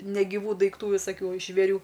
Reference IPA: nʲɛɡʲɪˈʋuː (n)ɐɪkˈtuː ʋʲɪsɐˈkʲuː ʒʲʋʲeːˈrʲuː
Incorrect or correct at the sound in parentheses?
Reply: incorrect: d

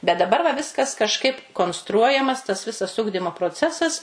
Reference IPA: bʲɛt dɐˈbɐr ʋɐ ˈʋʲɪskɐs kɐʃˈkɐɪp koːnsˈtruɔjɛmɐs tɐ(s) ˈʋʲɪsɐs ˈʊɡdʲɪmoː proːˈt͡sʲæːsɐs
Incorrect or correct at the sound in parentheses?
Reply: correct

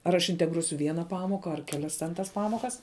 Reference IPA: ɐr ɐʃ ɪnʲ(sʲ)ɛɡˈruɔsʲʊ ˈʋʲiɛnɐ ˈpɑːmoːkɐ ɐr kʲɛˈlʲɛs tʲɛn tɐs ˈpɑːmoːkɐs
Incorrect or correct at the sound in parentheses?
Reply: incorrect: tʲ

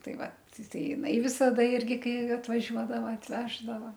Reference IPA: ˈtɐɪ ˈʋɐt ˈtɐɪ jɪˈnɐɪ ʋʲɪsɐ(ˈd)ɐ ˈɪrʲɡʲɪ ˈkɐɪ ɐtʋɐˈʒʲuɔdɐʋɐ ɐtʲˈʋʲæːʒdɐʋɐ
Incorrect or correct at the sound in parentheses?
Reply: correct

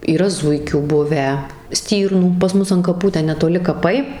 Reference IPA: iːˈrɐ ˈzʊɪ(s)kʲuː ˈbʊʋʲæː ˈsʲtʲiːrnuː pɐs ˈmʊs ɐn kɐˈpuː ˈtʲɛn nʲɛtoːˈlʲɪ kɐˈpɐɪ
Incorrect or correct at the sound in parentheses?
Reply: incorrect: none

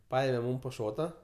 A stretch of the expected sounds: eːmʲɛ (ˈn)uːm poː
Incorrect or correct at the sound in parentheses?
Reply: incorrect: m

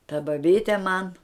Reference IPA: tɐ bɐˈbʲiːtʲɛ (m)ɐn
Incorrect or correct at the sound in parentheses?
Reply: correct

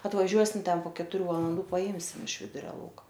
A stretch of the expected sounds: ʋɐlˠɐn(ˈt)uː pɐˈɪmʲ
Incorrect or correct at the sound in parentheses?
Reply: incorrect: d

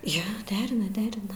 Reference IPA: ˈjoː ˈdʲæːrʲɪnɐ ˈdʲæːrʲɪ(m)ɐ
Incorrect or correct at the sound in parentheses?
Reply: incorrect: n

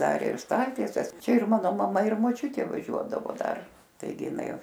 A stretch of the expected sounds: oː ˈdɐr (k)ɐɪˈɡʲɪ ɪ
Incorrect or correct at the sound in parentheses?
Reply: incorrect: t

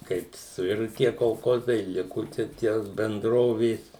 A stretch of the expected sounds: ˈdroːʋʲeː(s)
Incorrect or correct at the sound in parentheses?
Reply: correct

